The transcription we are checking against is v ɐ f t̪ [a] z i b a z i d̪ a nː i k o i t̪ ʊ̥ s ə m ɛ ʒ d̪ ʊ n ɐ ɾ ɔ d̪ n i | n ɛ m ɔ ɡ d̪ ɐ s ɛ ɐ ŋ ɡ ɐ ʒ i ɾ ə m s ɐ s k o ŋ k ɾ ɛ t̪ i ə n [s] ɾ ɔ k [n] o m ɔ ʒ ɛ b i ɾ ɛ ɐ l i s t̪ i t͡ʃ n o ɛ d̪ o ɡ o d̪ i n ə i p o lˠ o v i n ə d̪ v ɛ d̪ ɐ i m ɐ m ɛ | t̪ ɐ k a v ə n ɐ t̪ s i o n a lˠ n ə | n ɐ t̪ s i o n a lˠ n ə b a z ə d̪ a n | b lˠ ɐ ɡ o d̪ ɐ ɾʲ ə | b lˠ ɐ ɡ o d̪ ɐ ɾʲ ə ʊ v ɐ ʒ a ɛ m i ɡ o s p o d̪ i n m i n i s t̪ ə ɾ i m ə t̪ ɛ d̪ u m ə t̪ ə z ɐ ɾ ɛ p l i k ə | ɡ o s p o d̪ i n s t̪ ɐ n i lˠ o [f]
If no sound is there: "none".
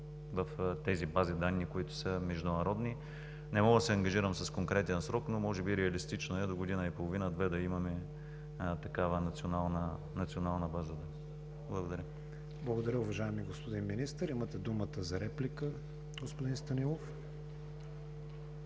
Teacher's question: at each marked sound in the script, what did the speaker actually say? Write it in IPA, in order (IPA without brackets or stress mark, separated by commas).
ɛ, s, n, f